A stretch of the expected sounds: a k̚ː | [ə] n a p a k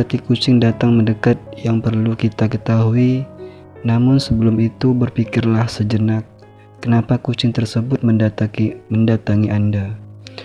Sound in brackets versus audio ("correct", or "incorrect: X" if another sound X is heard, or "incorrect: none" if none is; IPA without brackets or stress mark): correct